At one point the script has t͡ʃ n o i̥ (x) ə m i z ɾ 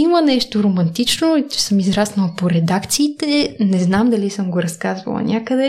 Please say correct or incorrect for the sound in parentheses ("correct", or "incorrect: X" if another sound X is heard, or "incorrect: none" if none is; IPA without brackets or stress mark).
incorrect: s